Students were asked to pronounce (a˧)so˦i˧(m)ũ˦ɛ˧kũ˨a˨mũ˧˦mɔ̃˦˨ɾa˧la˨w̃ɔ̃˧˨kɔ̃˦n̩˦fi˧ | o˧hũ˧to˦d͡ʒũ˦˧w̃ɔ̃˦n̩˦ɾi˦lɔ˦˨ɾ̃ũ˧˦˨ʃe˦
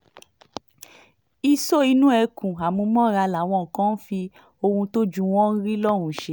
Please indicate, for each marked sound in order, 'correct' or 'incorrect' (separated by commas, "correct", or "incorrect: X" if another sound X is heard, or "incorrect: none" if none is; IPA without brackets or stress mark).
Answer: incorrect: i˧, incorrect: n